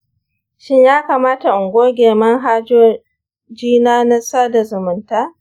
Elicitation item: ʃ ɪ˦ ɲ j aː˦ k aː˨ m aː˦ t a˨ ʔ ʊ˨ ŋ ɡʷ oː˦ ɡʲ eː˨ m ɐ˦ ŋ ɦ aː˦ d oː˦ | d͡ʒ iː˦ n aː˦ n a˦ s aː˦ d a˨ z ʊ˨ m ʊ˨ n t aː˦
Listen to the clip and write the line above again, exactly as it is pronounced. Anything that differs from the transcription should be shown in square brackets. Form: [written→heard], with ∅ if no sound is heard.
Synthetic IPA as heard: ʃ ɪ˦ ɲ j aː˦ k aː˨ m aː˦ t a˨ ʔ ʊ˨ ŋ ɡʷ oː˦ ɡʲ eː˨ m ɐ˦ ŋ ɦ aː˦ [d→d͡ʒ] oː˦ | d͡ʒ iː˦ n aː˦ n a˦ s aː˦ d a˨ z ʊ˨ m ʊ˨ n t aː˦